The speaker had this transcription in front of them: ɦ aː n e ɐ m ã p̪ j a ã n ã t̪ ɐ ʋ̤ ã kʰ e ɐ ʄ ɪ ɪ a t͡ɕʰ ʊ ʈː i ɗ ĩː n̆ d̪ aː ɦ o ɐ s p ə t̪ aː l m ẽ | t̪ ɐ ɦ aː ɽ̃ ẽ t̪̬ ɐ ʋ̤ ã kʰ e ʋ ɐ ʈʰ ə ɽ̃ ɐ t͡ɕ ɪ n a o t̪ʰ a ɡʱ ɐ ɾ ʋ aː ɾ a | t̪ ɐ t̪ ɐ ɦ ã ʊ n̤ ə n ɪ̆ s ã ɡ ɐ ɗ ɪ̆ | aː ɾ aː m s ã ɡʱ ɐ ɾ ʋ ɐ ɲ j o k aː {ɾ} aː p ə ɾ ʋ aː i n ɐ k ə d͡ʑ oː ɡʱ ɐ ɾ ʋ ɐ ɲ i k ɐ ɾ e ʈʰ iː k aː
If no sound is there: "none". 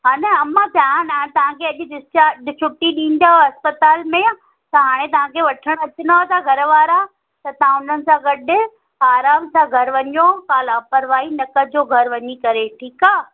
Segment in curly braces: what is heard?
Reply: l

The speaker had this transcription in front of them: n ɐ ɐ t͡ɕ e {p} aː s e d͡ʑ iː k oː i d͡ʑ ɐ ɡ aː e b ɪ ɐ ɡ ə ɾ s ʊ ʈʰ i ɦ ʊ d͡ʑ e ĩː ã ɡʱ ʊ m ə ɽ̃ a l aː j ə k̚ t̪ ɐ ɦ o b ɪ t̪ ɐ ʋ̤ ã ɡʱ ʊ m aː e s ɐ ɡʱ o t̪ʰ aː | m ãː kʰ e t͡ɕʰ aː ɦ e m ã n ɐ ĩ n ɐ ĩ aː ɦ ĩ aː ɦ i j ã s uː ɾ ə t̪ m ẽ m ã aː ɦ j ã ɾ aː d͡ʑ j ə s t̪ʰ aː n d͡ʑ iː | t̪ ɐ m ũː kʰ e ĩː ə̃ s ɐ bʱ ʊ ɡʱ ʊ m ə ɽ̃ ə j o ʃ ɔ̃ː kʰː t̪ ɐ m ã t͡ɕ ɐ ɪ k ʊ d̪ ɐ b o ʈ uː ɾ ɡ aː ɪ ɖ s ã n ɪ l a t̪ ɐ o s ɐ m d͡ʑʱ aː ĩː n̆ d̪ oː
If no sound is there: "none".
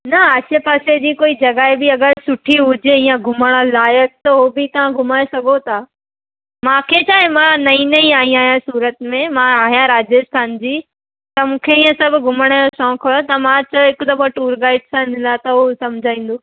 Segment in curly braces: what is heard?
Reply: p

